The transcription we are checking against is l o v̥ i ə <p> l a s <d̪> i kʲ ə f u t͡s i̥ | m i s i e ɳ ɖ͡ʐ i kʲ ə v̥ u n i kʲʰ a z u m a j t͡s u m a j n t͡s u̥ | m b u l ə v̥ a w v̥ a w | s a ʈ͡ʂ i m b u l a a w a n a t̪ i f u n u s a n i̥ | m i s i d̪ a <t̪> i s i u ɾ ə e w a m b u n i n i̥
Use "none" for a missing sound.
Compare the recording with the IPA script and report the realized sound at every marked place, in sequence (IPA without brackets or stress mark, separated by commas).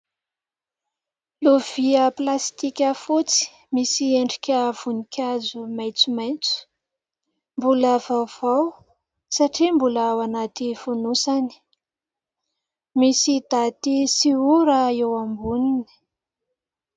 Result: p, t̪, t̪